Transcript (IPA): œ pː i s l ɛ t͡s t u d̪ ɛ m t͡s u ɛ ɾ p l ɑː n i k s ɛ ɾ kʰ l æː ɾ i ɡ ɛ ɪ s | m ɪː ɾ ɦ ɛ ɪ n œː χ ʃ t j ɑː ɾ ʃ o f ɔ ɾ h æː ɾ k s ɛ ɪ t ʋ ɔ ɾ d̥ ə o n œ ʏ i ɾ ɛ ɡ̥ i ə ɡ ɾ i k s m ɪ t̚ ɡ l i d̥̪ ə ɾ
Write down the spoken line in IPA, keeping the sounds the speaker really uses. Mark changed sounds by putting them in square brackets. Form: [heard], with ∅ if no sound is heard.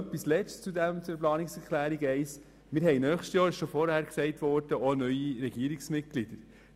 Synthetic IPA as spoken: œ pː i s l ɛ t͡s [t͡s] u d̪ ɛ m t͡s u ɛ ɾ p l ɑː n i k s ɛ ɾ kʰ l æː ɾ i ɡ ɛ ɪ s | m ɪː ɾ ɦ ɛ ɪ n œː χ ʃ t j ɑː ɾ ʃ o f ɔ ɾ h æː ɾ k s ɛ ɪ t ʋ ɔ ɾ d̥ ə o n œ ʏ i ɾ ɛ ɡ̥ i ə [∅] ɾ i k s m ɪ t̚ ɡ l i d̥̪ ə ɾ